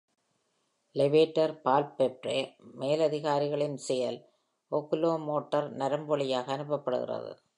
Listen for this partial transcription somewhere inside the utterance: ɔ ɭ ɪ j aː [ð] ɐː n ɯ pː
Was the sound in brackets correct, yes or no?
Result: no